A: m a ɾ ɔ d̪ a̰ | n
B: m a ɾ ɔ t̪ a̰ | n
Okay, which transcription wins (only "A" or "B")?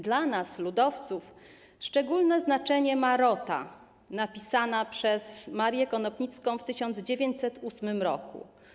B